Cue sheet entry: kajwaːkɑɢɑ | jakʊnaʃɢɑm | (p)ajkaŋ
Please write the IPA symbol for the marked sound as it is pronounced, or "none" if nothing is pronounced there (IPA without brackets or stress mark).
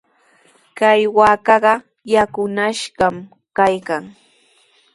k